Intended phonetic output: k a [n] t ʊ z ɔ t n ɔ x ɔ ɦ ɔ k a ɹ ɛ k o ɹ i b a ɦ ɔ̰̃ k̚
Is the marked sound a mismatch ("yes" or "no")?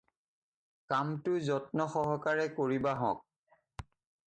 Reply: yes